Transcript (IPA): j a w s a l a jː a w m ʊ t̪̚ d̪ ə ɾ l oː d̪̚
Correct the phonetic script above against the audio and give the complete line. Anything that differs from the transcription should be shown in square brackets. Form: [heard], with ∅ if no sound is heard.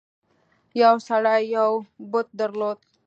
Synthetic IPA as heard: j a w s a [ɽ] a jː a w [b] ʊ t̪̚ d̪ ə ɾ l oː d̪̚